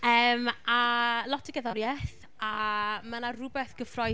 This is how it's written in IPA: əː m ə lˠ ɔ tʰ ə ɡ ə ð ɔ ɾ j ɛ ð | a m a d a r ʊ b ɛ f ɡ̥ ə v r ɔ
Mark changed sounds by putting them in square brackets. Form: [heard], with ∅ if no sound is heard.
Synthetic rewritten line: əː m [a] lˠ ɔ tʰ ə ɡ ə ð ɔ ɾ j ɛ [θ] | a m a [n] a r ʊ b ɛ [θ] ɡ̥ ə [f] r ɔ